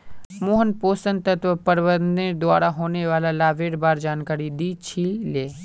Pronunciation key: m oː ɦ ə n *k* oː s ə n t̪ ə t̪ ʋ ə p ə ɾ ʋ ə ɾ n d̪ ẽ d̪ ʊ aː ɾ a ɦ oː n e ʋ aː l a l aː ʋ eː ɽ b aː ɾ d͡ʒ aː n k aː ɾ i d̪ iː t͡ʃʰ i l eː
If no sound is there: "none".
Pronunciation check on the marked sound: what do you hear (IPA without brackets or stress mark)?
p